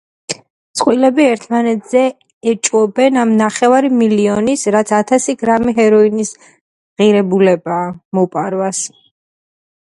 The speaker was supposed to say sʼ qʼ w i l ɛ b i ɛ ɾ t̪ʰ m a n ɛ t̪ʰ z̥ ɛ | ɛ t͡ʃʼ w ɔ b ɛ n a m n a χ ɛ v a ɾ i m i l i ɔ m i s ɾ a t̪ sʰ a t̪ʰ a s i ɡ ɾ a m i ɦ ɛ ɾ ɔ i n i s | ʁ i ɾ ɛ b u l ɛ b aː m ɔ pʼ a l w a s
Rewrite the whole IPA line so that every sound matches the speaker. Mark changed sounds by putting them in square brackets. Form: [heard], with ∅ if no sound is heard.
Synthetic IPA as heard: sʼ qʼ w i l ɛ b i ɛ ɾ t̪ʰ m a n ɛ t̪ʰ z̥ ɛ | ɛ t͡ʃʼ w ɔ b ɛ n a m n a χ ɛ v a ɾ i m i l i ɔ [n] i s ɾ a t̪ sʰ a t̪ʰ a s i ɡ ɾ a m i ɦ ɛ ɾ ɔ i n i s | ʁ i ɾ ɛ b u l ɛ b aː m ɔ pʼ a [ɾ] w a s